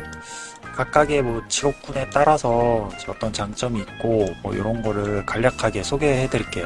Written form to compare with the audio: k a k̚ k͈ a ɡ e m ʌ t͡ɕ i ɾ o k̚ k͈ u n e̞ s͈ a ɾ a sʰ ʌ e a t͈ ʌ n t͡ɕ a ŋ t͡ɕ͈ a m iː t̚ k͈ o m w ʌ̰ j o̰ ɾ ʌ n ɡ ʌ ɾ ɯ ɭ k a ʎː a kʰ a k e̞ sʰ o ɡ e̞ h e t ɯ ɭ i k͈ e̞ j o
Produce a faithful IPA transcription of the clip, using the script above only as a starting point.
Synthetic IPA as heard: k a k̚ k͈ a ɡ e m ʌ t͡ɕ i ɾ o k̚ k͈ u n e̞ t͈ a ɾ a sʰ ʌ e ʌ t͈ ʌ n t͡ɕ a ŋ t͡ɕ͈ ʌ m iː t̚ k͈ o m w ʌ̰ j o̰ ɾ ʌ n ɡ ʌ ɾ ɯ ɭ k a ʎː a kʰ a ɡ e̞ sʰ o ɡ e̞ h e d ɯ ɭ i k͈ e̞ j o

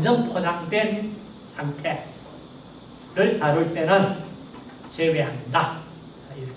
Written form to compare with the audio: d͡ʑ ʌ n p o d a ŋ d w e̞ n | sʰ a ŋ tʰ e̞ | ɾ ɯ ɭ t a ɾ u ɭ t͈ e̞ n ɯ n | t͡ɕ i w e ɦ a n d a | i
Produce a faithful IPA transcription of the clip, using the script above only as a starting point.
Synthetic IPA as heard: d͡ʑ ʌ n pʰ o d͡ʑ a ŋ d w e̞ n | sʰ a ŋ tʰ e̞ | ɾ ɯ ɭ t a ɾ u ɭ t͈ e̞ n ɯ n | t͡ɕ e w e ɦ a n d a | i

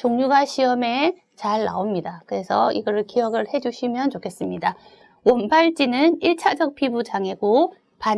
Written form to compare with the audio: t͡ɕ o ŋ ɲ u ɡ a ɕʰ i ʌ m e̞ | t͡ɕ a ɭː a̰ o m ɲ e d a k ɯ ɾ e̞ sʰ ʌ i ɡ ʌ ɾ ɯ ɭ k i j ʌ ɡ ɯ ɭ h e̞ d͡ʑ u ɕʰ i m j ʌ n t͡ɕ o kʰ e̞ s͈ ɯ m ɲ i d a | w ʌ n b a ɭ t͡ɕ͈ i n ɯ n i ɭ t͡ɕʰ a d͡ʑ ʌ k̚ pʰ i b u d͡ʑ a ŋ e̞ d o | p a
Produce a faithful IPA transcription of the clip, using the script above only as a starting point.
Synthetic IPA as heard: t͡ɕ o ŋ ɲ u ɡ a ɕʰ i ʌ m e̞ | t͡ɕ a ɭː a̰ o m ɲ i d a k ɯ ɾ e̞ sʰ ʌ i ɡ ʌ ɾ ɯ ɭ k i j ʌ ɡ ɯ ɭ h e̞ d͡ʑ u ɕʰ i m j ʌ n t͡ɕ o kʰ e̞ s͈ ɯ m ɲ i d a | w ʌ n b a ɭ t͡ɕ͈ i n ɯ n i ɭ t͡ɕʰ a d͡ʑ ʌ k̚ pʰ i b u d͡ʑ a ŋ e̞ ɡ o | p a

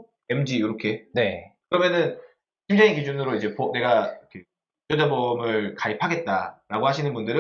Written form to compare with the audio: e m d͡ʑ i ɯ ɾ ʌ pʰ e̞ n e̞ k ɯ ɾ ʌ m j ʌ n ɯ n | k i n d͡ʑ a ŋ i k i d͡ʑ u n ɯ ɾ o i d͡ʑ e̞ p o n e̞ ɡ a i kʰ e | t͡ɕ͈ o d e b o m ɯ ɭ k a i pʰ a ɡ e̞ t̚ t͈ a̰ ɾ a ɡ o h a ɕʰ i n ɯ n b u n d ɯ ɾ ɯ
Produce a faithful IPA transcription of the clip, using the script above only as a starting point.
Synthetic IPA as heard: e m d͡ʑ i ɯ ɾ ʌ kʰ e̞ n e̞ k ɯ ɾ ʌ m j ʌ n ɯ n | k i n d͡ʑ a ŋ i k i d͡ʑ u n ɯ ɾ o i d͡ʑ e̞ p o n e̞ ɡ a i kʰ e | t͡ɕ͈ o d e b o m ɯ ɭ k a i pʰ a ɡ e̞ t̚ t͈ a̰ ɾ a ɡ o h a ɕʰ i n ɯ n b u n d ɯ ɾ ɯ

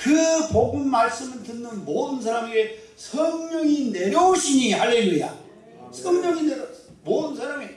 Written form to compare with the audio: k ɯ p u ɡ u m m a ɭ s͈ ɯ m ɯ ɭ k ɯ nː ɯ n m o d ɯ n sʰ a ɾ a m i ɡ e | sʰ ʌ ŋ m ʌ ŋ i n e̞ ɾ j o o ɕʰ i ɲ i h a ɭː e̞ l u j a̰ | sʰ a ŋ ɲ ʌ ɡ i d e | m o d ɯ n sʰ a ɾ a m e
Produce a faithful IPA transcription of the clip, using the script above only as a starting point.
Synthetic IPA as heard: k ɯ p o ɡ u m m a ɭ s͈ ɯ m ɯ ɭ t ɯ nː ɯ n m o d ɯ n sʰ a ɾ a m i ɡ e | sʰ ʌ ŋ ɲ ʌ ŋ i n e̞ ɾ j o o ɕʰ i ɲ i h a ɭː e̞ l u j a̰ | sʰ ʌ ŋ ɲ ʌ ŋ i n e | m o d ɯ n sʰ a ɾ a m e

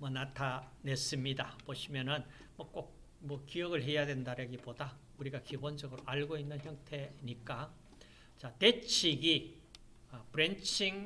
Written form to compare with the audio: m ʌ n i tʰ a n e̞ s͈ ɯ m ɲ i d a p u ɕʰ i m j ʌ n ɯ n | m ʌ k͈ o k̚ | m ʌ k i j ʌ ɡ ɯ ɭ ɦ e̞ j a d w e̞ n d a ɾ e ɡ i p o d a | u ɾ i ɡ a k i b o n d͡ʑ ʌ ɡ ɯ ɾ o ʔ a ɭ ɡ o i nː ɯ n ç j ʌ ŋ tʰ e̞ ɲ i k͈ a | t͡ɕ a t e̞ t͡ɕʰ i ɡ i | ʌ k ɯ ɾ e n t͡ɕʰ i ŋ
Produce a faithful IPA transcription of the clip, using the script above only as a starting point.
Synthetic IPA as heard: m ʌ n a tʰ a n e̞ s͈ ɯ m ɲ i d a p o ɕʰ i m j ʌ n ɯ n | m ʌ k͈ o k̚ | m ʌ k i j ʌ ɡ ɯ ɭ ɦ e̞ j a d w e̞ n d a ɾ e ɡ i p o d a | u ɾ i ɡ a k i b o n d͡ʑ ʌ ɡ ɯ ɾ o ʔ a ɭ ɡ o i nː ɯ n ç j ʌ ŋ tʰ e̞ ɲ i k͈ a | t͡ɕ a t e̞ t͡ɕʰ i ɡ i | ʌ p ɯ ɾ e n t͡ɕʰ i ŋ

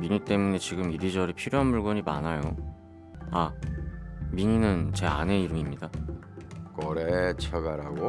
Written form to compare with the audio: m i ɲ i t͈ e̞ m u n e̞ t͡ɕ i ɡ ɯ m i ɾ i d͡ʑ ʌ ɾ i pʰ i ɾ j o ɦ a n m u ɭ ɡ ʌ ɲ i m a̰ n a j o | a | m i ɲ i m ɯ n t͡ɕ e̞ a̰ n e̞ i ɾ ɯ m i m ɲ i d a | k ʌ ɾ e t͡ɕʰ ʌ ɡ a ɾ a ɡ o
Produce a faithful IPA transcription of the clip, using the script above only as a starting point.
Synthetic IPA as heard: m i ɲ i t͈ e̞ m u n e̞ t͡ɕ i ɡ ɯ m i ɾ i d͡ʑ ʌ ɾ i pʰ i ɾ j o ɦ a n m u ɭ ɡ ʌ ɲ i m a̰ n a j o | a | m i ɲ i n ɯ n t͡ɕ e̞ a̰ n e̞ i ɾ ɯ m i m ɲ i d a | k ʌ ɾ e t͡ɕʰ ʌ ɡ a ɾ a ɡ o

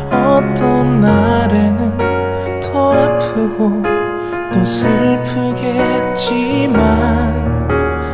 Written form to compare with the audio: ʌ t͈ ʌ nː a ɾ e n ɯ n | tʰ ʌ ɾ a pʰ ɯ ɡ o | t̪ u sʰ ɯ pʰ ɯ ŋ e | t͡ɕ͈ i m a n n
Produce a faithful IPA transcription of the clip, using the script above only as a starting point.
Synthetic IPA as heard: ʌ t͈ ʌ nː a ɾ e n ɯ n | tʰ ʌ ɾ a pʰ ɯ ɡ o | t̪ o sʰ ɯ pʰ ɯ ɡ e | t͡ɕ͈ i m a n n

